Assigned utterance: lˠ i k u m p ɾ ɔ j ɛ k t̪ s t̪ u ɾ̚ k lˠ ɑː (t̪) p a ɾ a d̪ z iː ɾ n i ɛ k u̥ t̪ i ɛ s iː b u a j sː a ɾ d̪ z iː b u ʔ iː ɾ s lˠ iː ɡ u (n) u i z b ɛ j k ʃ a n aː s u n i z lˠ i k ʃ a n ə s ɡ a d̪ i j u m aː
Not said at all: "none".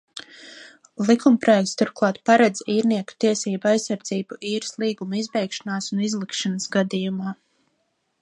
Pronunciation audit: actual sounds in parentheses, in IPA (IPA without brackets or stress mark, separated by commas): t̪, m